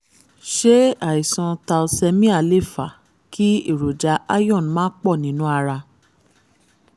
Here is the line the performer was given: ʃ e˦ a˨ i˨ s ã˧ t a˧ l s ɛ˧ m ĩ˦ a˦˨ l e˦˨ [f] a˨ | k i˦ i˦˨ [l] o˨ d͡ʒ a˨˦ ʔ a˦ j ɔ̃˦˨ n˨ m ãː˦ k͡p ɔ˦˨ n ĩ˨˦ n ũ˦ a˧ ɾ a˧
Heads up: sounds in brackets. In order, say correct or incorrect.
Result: correct, incorrect: ɾ

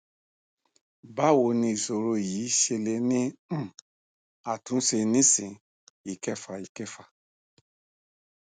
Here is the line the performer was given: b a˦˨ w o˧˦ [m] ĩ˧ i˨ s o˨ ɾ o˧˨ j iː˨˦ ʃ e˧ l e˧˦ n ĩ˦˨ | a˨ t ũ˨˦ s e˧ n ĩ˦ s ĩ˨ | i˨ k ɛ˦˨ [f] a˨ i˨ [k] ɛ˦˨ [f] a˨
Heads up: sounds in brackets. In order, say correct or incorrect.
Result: incorrect: n, correct, correct, correct

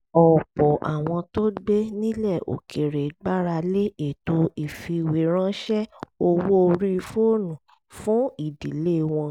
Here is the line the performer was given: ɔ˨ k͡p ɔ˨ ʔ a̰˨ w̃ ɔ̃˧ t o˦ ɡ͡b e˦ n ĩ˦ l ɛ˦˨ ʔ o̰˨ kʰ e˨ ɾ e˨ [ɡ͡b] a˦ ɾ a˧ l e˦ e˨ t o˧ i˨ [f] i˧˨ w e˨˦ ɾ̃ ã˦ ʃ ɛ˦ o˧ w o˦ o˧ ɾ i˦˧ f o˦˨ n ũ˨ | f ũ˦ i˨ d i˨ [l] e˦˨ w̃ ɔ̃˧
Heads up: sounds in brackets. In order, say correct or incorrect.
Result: correct, correct, correct

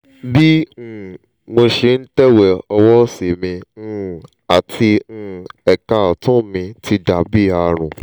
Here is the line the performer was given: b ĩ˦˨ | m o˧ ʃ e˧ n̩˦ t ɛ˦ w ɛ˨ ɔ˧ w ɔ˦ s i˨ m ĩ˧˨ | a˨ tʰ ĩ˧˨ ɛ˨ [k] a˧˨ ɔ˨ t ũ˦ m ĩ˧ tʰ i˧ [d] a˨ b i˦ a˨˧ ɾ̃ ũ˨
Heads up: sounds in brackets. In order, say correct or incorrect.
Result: correct, correct

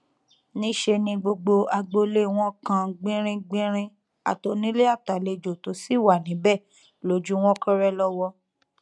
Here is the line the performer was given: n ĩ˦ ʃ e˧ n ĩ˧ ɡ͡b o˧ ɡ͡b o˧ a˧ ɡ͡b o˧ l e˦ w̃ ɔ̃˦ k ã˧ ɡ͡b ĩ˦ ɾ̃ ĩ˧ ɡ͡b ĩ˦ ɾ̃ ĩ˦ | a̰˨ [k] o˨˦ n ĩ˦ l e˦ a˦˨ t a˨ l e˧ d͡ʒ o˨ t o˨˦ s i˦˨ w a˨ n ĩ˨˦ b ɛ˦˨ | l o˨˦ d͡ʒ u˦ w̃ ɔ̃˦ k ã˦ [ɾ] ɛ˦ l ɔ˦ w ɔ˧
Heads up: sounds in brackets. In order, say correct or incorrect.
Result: incorrect: t, correct

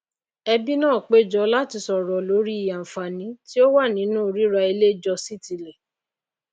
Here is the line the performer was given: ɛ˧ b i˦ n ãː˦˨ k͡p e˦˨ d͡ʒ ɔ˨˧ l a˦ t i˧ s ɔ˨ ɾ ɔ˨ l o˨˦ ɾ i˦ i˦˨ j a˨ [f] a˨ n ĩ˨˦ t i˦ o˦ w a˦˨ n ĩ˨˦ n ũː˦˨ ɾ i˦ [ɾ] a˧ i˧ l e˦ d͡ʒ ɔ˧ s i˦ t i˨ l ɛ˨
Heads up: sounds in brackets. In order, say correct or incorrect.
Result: correct, correct

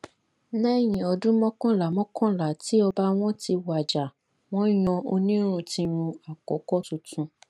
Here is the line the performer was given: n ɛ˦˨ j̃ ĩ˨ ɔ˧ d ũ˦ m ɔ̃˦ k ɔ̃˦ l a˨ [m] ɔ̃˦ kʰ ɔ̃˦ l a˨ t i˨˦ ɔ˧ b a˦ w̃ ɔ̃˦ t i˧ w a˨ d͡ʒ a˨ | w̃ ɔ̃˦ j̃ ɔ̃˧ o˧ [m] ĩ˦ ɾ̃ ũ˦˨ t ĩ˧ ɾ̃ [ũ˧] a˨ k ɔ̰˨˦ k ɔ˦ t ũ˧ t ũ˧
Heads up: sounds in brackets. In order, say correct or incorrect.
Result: correct, incorrect: n, correct

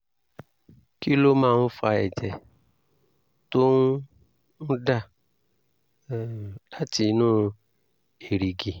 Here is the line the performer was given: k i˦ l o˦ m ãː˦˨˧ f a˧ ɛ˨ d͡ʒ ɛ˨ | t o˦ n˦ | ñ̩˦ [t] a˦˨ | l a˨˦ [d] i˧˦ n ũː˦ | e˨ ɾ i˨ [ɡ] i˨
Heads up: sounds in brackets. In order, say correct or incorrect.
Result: incorrect: d, incorrect: t, correct

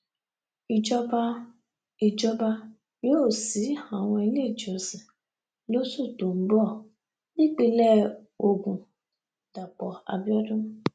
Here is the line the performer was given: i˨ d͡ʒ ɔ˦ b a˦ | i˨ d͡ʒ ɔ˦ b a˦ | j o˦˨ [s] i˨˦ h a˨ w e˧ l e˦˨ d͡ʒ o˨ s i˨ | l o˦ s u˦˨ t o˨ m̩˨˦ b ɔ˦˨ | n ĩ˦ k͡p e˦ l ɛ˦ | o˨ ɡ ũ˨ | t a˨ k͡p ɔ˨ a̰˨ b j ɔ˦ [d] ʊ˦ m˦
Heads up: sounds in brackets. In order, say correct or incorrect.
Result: correct, correct

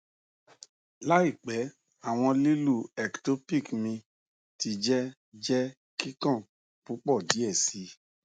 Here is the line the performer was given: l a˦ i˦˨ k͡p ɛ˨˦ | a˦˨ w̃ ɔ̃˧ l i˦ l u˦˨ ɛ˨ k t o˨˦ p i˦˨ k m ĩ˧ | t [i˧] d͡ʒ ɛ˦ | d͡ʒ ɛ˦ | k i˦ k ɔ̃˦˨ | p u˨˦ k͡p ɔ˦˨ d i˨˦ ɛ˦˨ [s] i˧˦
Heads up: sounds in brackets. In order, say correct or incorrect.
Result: correct, correct

